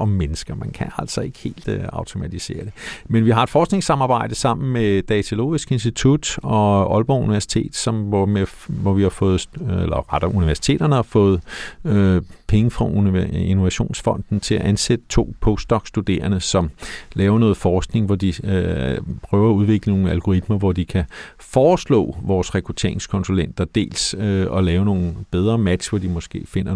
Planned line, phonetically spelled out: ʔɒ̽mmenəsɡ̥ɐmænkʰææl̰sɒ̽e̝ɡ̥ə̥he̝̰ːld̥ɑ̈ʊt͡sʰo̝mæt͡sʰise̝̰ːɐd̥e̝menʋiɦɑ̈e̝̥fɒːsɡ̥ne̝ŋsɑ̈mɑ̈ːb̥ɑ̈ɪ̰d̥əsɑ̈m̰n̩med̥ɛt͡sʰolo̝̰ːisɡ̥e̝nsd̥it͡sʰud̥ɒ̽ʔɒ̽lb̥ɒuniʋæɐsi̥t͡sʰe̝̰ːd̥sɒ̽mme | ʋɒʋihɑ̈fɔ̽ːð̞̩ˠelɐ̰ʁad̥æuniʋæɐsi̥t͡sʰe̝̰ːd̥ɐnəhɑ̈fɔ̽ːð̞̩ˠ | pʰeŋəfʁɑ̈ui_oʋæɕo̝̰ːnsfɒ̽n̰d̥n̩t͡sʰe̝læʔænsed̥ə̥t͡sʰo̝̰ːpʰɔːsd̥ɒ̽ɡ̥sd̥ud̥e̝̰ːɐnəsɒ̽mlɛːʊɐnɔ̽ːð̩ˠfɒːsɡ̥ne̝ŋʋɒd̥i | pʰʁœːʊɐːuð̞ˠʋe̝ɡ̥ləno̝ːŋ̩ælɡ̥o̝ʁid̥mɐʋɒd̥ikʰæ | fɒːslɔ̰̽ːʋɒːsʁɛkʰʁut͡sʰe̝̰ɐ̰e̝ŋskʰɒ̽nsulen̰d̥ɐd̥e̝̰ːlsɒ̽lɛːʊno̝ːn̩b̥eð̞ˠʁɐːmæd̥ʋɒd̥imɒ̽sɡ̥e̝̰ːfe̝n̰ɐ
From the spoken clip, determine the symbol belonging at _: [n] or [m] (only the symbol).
n